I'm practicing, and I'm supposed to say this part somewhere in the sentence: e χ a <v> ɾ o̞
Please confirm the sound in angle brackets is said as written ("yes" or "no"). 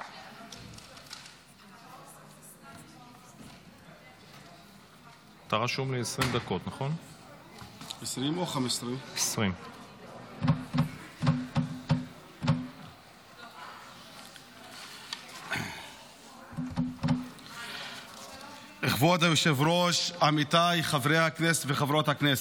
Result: yes